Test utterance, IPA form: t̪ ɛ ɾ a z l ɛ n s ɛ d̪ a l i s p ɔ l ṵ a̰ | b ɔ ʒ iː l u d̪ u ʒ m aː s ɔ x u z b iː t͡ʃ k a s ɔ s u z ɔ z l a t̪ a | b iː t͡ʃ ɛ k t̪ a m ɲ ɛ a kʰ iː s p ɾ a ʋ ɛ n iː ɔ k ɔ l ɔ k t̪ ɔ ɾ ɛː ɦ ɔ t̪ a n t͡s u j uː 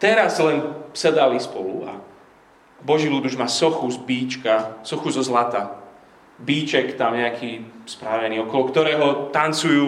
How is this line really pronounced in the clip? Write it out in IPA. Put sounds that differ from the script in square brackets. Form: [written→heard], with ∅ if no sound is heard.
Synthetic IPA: t̪ ɛ ɾ a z l ɛ n s ɛ d̪ a l i s p ɔ l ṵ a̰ | b ɔ ʒ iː l u d̪ u ʒ m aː s ɔ x u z b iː t͡ʃ k a s ɔ [s→x] u z ɔ z l a t̪ a | b iː t͡ʃ ɛ k t̪ a m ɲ ɛ a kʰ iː s p ɾ a ʋ ɛ n iː ɔ k ɔ l ɔ k t̪ ɔ ɾ ɛː ɦ ɔ t̪ a n t͡s u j uː